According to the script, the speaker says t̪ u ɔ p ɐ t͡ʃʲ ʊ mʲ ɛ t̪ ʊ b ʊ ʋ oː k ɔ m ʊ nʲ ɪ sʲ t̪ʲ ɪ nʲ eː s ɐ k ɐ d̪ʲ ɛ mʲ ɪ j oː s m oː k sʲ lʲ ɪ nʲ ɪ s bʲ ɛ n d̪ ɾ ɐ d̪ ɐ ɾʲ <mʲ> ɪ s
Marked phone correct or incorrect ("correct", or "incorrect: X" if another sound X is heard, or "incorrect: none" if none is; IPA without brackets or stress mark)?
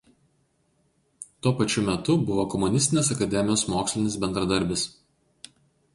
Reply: incorrect: bʲ